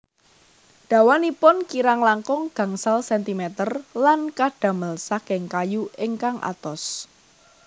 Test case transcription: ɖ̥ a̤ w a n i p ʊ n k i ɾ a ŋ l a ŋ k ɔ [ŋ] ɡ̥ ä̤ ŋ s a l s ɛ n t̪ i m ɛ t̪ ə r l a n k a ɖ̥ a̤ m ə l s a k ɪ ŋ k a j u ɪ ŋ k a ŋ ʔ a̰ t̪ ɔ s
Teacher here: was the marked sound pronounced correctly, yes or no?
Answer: yes